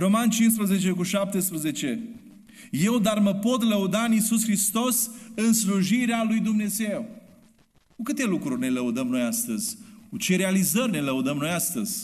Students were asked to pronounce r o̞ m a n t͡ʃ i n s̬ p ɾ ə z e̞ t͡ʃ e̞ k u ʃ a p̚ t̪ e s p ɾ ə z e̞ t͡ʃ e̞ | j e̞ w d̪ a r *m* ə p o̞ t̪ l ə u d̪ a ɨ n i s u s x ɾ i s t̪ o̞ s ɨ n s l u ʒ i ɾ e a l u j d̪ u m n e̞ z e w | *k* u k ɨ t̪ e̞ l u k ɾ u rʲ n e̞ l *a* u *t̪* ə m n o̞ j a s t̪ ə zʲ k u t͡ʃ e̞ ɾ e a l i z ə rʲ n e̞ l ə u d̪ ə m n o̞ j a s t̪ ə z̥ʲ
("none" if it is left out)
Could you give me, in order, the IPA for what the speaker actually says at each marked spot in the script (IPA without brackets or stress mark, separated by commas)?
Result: m, k, ə, d̪